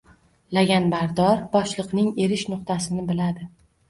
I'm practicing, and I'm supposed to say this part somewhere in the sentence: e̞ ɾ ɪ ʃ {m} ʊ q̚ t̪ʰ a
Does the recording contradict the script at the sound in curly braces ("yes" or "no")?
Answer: yes